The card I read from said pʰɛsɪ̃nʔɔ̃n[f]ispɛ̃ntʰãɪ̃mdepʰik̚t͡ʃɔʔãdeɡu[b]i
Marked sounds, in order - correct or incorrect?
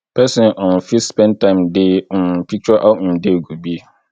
correct, correct

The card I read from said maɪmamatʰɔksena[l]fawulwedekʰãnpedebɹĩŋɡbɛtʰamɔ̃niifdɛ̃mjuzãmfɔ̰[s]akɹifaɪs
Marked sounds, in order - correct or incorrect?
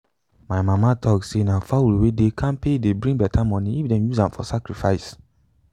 incorrect, correct

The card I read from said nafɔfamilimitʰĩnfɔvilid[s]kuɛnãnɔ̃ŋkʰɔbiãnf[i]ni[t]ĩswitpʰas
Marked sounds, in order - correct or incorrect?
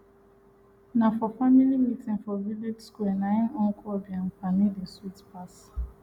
correct, incorrect, incorrect

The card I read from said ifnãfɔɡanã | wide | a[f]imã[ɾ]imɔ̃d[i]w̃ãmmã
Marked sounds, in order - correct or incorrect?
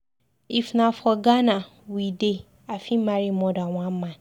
correct, correct, incorrect

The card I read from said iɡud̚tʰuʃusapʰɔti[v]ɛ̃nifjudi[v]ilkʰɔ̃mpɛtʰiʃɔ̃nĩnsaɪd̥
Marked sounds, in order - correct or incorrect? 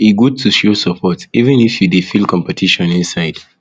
correct, incorrect

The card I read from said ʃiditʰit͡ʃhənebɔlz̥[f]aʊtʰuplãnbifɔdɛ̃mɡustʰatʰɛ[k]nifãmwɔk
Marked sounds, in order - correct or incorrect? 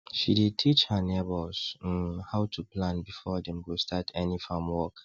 incorrect, incorrect

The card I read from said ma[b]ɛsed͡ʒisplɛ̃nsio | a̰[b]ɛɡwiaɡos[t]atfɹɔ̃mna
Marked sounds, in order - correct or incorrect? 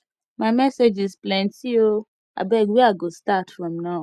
incorrect, correct, correct

